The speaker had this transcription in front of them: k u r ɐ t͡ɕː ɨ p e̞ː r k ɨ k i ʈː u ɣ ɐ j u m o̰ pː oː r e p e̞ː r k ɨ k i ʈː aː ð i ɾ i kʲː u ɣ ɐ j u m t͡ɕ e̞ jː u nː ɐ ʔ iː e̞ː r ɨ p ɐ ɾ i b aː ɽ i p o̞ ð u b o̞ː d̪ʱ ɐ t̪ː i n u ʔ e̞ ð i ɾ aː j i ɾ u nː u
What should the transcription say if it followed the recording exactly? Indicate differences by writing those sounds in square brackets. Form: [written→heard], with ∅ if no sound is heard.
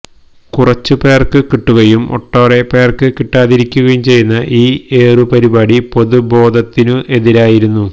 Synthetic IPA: k u r ɐ t͡ɕː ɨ p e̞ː r k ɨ k i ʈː u ɣ ɐ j u m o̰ [pː→ʈː] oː r e p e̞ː r k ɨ k i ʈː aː ð i ɾ i kʲː u ɣ ɐ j u m t͡ɕ e̞ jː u nː ɐ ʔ iː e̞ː r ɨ p ɐ ɾ i b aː ɽ i p o̞ ð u b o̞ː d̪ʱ ɐ t̪ː i n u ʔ e̞ ð i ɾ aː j i ɾ u nː u